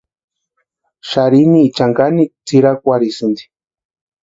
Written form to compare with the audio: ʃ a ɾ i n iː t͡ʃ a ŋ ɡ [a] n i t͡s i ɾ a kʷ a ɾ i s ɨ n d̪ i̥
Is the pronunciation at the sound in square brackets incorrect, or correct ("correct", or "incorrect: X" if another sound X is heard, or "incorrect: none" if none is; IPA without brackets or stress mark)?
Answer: correct